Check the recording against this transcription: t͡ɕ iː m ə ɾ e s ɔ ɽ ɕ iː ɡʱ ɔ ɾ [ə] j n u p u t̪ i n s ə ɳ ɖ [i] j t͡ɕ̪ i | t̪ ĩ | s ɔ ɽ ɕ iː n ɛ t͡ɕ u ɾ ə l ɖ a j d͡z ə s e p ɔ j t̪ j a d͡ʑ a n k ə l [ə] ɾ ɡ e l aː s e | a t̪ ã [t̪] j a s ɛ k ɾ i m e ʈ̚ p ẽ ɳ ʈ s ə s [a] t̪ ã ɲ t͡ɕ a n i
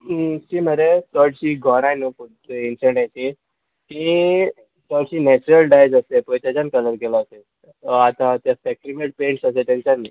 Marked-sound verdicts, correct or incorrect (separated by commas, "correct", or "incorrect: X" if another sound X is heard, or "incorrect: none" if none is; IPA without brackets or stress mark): incorrect: a, incorrect: a, correct, correct, incorrect: e